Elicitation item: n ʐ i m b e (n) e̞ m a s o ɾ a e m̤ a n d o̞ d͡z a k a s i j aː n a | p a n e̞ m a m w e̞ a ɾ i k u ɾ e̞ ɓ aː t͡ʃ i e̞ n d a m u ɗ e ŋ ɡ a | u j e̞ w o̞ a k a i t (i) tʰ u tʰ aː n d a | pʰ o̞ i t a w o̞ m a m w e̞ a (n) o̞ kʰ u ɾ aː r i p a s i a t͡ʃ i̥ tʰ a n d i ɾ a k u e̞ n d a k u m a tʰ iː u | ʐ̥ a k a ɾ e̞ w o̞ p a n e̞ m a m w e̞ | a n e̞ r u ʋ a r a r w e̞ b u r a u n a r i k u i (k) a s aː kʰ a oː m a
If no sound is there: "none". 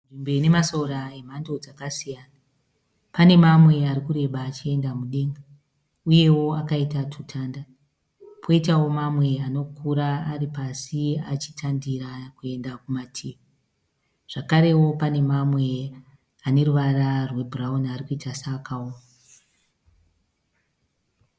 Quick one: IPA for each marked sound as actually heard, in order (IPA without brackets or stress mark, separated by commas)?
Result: n, a, n, t